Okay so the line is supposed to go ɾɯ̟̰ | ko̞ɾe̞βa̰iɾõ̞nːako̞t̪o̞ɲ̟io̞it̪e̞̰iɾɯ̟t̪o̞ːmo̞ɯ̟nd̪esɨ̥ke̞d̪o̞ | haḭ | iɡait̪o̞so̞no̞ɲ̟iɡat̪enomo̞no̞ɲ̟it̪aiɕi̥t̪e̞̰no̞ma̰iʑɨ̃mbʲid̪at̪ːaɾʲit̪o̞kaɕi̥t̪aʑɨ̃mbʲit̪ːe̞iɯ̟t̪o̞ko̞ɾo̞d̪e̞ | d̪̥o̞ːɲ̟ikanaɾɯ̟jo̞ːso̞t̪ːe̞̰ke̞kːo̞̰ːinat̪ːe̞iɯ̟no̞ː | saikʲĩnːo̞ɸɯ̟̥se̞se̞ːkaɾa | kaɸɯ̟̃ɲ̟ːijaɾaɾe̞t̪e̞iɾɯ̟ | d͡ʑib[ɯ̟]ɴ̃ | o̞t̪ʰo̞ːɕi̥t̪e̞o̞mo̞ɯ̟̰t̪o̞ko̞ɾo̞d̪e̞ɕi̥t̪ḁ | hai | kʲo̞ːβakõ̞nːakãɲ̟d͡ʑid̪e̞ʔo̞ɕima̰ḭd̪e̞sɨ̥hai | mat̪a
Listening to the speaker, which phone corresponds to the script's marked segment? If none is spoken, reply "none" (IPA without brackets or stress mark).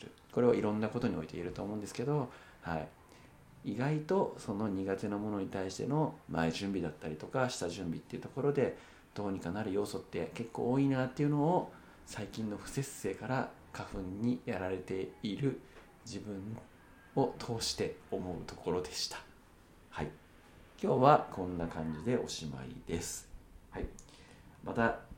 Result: ɯ̟̃